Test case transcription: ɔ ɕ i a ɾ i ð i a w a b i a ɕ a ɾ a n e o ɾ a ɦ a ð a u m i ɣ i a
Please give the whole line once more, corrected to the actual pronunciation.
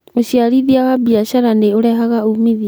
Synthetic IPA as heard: o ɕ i a ɾ i ð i a w a b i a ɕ a ɾ a n e o ɾ ɛ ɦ a ɣ a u m i ð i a